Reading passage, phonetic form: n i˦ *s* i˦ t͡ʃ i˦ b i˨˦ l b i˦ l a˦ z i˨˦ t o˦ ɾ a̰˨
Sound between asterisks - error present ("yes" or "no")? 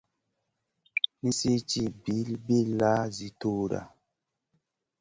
no